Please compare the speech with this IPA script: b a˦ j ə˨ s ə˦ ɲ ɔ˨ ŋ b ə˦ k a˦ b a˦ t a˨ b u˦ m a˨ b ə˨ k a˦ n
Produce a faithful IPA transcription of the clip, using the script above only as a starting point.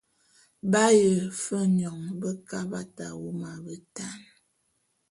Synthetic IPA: b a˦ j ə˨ f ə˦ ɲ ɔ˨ ŋ b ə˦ k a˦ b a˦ t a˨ w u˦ m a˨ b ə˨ t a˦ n